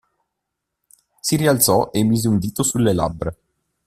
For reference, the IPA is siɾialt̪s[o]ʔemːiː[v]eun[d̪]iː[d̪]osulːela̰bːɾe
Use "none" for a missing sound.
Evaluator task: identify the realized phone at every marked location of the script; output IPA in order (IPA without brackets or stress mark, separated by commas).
ɔ, z, d̪, t̪